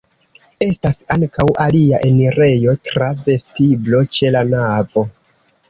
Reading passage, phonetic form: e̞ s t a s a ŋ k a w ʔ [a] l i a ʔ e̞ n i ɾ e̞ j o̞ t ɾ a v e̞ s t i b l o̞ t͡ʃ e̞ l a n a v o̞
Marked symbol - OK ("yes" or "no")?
yes